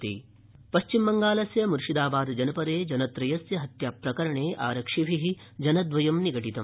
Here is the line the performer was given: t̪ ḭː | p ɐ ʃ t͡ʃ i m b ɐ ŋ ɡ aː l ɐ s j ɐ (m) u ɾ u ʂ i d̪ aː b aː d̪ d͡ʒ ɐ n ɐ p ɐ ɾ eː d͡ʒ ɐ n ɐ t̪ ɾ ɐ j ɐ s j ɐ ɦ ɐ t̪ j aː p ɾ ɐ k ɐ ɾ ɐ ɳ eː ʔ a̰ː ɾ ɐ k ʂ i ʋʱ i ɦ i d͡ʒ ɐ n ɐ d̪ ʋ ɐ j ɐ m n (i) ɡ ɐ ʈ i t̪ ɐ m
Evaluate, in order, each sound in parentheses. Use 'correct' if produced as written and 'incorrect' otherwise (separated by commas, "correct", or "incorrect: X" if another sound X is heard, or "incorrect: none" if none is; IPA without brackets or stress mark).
correct, correct